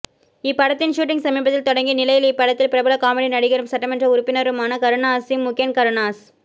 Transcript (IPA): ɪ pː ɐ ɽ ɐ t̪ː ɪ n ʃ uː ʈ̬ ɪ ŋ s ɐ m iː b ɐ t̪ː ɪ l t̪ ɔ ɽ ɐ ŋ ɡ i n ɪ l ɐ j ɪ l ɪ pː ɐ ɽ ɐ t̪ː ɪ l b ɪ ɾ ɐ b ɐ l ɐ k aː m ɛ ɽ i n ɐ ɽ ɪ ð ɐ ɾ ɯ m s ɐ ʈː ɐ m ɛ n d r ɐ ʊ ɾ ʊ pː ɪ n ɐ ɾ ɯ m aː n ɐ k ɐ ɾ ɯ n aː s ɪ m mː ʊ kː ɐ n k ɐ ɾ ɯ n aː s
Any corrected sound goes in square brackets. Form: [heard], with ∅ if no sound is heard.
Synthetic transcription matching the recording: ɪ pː ɐ ɽ ɐ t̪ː ɪ n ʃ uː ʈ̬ ɪ ŋ s ɐ m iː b ɐ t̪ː ɪ l t̪ ɔ ɽ ɐ ŋ ɡ i n ɪ l ɐ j ɪ l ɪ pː ɐ ɽ ɐ t̪ː ɪ l [p] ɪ ɾ ɐ b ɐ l ɐ k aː m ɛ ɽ i n ɐ ɽ ɪ [ɣ] ɐ ɾ ɯ m s ɐ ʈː ɐ m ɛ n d r ɐ ʊ ɾ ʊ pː ɪ n ɐ ɾ ɯ m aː n ɐ k ɐ ɾ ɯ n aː s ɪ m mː ʊ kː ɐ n k ɐ ɾ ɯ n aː s